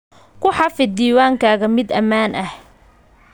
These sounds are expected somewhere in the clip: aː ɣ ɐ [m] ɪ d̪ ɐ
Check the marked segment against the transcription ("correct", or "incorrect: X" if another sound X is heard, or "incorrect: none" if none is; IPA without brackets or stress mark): correct